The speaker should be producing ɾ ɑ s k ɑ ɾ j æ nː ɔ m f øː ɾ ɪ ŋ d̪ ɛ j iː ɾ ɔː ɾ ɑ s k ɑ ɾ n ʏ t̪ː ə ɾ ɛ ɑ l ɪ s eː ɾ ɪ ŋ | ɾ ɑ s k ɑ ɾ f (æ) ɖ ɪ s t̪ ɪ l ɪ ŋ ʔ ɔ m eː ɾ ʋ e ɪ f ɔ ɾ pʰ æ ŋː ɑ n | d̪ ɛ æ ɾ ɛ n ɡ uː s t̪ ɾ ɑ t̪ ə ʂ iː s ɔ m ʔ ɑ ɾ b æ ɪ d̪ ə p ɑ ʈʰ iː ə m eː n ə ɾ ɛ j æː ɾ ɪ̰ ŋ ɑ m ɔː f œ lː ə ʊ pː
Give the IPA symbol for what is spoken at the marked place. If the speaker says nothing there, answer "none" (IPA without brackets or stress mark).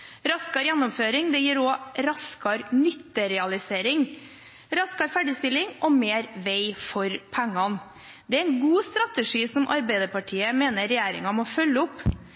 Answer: æ